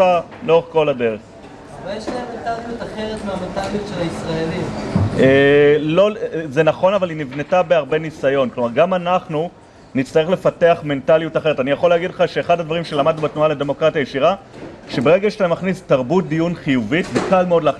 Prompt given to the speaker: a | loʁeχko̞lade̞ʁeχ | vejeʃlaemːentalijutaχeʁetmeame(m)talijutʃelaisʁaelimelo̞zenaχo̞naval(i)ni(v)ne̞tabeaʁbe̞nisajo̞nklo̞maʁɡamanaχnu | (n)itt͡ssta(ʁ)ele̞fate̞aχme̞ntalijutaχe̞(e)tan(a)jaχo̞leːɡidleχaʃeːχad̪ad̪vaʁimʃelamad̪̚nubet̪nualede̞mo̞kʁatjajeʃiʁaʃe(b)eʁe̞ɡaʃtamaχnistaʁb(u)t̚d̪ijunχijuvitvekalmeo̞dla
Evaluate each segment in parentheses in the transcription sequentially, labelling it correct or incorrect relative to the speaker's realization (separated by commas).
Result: incorrect, correct, correct, correct, correct, correct, incorrect, correct, correct